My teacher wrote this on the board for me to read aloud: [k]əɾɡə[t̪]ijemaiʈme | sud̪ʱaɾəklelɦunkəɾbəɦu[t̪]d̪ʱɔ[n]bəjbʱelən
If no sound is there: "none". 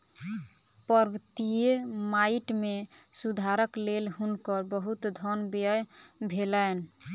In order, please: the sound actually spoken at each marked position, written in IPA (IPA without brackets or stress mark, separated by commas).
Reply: p, t̪, t̪, n